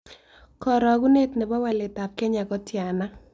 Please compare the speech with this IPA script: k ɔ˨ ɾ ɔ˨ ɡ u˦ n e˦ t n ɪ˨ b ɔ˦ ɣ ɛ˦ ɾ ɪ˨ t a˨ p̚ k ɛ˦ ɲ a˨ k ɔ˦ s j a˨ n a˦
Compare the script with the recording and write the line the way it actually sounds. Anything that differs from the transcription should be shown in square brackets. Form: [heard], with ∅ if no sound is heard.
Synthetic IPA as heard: k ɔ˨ ɾ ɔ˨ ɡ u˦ n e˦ t n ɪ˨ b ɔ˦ [w] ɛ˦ [l] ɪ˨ t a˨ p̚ k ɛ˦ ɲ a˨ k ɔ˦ [t] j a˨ n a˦